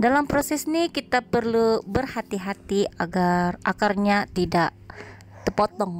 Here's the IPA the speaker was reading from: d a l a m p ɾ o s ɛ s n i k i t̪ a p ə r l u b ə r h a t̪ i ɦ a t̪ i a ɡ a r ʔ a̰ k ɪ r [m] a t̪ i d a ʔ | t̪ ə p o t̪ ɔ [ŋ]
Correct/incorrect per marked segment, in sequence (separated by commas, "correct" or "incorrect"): incorrect, correct